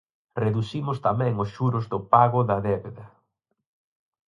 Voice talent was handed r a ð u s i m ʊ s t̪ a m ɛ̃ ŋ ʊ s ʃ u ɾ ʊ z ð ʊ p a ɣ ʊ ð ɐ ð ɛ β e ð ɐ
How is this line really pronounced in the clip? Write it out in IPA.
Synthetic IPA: r e ð u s i m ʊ s t̪ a m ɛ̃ ŋ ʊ s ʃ u ɾ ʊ z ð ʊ p a ɣ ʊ ð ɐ ð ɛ β e ð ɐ